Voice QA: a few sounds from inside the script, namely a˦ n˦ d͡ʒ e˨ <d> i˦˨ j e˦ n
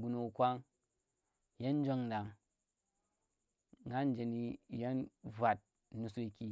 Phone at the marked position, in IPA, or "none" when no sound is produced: n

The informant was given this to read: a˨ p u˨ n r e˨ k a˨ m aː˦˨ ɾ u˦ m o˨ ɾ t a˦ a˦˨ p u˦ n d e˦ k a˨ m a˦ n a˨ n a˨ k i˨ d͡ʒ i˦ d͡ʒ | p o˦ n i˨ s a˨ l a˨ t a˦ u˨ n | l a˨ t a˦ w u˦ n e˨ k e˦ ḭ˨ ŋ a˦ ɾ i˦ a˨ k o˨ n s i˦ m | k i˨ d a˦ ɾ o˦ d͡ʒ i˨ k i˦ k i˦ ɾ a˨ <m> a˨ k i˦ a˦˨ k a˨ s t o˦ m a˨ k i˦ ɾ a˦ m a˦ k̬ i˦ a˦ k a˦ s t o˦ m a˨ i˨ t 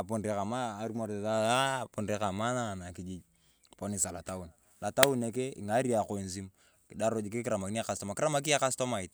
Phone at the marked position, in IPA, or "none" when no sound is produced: m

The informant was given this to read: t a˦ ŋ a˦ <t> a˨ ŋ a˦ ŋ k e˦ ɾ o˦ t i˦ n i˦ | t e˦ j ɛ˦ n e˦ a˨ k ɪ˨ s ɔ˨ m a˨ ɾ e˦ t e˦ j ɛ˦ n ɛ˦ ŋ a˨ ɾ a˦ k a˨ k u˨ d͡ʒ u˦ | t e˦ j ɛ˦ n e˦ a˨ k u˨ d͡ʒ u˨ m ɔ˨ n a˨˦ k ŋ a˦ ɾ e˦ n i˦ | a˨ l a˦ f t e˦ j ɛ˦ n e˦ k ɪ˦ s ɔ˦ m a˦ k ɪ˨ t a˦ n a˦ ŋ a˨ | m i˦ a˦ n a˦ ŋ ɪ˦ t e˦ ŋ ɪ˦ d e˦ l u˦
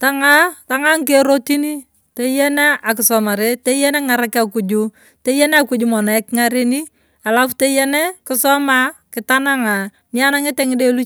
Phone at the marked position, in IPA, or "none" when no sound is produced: t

